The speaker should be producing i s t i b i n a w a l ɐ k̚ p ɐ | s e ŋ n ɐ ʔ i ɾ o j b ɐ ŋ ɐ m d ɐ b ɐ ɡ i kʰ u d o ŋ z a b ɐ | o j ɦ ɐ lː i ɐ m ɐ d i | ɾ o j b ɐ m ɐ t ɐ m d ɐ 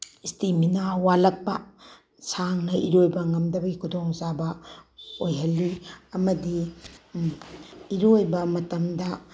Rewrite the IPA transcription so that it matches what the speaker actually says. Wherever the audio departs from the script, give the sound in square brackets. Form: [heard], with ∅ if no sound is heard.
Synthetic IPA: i s t i [m] i n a w a l ɐ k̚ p ɐ | s [a] ŋ n ɐ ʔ i ɾ o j b ɐ ŋ ɐ m d ɐ b ɐ ɡ i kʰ u d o ŋ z a b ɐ | o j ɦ ɐ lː i ɐ m ɐ d i | ɾ o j b ɐ m ɐ t ɐ m d ɐ